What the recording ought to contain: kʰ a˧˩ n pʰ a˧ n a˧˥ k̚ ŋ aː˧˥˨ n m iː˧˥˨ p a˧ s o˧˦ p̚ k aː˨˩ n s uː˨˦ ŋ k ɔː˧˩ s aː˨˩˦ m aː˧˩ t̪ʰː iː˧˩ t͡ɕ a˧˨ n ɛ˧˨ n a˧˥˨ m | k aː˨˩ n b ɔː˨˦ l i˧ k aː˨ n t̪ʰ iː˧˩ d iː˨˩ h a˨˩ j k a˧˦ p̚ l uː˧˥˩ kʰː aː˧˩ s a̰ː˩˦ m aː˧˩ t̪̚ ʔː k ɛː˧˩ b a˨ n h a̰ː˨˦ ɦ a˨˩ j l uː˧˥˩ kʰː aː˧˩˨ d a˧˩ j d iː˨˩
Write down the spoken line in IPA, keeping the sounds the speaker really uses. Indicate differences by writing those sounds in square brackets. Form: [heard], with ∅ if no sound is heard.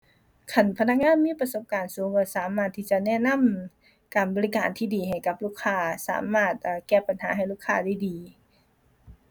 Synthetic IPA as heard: kʰ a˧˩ n pʰ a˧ n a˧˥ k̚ ŋ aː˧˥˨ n m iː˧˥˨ p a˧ s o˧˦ p̚ k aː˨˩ n s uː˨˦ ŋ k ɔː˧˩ s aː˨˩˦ m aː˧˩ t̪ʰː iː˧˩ t͡ɕ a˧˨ n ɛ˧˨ n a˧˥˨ m | k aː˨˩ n b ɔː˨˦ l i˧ k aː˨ n t̪ʰ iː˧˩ d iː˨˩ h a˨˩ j k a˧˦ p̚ l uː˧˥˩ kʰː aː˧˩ s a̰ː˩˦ m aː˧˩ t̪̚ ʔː k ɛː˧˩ [p] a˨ n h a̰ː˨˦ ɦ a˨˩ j l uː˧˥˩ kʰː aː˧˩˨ d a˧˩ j d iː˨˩